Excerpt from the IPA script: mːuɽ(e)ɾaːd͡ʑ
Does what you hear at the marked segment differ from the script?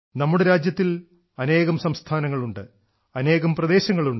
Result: no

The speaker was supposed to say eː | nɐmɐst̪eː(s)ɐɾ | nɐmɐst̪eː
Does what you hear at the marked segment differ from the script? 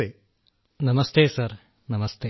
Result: no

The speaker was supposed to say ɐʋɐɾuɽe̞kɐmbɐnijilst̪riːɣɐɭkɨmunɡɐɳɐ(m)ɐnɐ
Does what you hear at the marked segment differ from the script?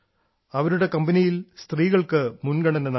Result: yes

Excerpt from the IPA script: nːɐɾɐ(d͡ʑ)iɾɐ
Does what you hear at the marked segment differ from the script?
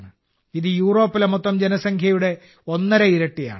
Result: yes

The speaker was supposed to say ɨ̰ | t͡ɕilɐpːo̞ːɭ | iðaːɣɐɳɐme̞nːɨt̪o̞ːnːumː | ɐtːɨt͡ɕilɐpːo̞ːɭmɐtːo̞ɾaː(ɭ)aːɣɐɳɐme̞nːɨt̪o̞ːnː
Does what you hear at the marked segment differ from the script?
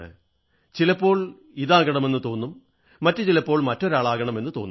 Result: no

